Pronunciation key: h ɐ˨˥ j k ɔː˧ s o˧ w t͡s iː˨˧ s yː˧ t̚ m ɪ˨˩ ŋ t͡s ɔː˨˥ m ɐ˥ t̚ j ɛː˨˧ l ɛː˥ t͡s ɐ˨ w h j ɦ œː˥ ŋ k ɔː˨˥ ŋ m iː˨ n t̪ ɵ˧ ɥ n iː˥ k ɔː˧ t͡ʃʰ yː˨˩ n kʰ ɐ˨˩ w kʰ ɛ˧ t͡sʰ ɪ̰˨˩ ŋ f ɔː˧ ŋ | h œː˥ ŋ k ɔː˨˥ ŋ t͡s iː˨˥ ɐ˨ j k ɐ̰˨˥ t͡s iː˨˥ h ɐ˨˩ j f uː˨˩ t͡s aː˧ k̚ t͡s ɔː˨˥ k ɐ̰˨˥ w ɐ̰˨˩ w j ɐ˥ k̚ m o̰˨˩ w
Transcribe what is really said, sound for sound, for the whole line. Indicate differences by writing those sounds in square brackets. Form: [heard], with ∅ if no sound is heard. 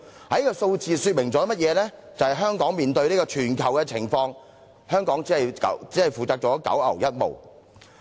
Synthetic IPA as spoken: h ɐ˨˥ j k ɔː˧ s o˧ w t͡s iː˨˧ s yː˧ t̚ m ɪ˨˩ ŋ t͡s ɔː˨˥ m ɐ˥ t̚ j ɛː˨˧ l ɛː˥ t͡s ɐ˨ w h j ɦ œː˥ ŋ k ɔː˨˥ ŋ m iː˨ n t̪ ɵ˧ ɥ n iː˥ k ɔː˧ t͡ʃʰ yː˨˩ n kʰ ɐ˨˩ w [k] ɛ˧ t͡sʰ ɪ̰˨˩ ŋ f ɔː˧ ŋ | h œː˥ ŋ k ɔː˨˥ ŋ t͡s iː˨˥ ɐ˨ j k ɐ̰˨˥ t͡s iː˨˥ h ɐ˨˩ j f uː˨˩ t͡s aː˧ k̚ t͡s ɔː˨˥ k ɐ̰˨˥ w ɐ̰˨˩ w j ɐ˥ [t̚] m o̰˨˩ w